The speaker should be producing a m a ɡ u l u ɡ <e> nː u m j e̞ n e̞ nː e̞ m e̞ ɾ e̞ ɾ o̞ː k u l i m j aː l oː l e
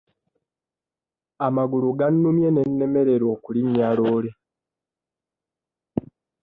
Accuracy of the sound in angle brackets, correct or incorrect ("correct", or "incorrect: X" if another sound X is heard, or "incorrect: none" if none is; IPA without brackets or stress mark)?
incorrect: a